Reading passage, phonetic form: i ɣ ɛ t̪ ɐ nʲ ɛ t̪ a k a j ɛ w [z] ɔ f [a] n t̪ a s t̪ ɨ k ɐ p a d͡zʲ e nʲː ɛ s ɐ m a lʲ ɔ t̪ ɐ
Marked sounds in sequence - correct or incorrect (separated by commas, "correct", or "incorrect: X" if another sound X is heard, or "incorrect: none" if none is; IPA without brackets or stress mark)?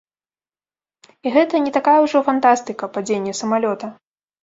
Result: incorrect: ʐ, correct